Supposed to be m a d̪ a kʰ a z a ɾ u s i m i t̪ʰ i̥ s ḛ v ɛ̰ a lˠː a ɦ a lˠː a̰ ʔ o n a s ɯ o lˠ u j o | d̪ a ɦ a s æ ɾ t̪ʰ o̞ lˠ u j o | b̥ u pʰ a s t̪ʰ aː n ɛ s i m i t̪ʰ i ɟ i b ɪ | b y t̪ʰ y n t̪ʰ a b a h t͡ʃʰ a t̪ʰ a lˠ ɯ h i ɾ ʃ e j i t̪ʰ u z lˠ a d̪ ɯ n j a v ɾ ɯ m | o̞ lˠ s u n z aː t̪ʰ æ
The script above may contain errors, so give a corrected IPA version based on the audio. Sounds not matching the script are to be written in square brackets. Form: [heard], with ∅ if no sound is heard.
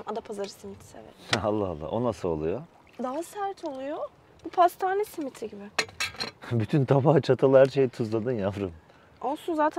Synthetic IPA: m a d̪ a [pʰ] a z a ɾ [ɯ] s i m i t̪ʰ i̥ s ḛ v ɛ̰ a lˠː a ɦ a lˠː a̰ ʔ o n a s ɯ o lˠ u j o | d̪ a ɦ a s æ ɾ t̪ʰ o̞ lˠ u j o | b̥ u pʰ a s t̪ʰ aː n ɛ s i m i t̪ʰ i ɟ i b ɪ | b y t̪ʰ y n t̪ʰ a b a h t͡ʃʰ a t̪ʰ a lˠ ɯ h [æ] ɾ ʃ e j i t̪ʰ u z lˠ a d̪ ɯ n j a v ɾ ɯ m | o̞ lˠ s u n z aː t̪ʰ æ